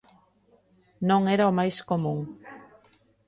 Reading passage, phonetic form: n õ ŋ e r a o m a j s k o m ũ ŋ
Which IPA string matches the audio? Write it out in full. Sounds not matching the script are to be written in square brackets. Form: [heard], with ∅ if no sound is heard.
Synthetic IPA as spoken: n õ ŋ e [ɾ] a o m a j s k o m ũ ŋ